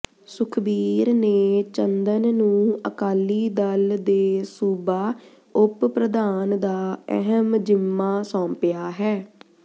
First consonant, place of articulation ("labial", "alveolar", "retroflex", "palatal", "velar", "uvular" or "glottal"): alveolar